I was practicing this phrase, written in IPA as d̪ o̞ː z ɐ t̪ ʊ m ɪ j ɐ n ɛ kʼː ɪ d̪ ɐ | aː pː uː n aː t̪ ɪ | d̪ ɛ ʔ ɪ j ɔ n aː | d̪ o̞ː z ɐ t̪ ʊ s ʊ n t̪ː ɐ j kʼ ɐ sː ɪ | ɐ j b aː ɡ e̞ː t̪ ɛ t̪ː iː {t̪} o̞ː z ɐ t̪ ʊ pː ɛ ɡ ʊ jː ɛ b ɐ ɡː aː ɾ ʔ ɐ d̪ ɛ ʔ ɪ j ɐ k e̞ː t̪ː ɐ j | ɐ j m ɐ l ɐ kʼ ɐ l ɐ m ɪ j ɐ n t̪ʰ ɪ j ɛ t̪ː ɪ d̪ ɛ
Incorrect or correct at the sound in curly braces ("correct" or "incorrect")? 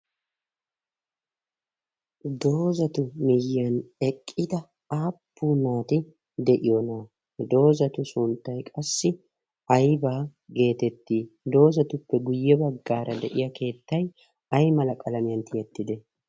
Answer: incorrect